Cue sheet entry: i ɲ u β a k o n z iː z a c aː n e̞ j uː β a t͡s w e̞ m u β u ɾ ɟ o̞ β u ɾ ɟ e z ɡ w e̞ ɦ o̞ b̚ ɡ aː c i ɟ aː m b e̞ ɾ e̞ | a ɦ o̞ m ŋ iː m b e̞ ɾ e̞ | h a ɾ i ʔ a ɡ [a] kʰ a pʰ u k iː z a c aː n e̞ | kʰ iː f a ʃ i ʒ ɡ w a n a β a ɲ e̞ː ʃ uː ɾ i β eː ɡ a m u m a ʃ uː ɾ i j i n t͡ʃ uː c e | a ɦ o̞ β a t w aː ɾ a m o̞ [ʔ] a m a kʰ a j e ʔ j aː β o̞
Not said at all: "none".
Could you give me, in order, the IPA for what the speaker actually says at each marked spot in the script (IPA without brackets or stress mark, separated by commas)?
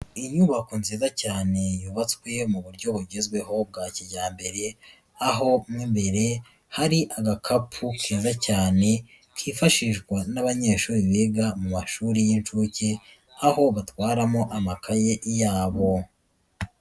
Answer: a, ʔ